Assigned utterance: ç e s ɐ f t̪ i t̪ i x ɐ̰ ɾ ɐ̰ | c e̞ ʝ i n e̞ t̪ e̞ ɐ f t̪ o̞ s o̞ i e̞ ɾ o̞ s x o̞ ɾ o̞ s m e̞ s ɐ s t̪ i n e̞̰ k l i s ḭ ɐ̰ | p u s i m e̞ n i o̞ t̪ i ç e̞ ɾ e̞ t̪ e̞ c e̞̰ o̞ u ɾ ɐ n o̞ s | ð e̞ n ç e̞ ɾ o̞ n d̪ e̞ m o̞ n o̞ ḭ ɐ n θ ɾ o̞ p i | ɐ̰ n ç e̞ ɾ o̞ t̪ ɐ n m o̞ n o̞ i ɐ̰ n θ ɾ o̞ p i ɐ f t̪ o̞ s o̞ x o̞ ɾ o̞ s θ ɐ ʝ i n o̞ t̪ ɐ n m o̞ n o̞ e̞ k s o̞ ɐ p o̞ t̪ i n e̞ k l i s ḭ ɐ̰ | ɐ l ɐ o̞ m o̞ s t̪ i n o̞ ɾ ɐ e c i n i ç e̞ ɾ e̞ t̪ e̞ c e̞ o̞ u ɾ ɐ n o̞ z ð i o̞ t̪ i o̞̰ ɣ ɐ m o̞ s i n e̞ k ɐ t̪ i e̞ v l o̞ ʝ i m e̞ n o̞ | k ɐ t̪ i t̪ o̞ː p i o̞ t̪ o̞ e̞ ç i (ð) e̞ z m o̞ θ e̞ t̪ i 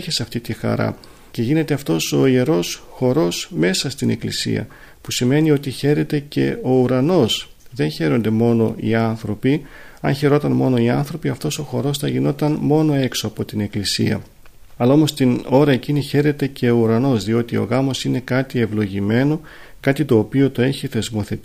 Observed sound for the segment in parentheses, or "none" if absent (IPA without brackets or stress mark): θ